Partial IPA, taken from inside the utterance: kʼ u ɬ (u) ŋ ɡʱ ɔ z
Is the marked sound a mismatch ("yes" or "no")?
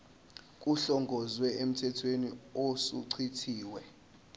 yes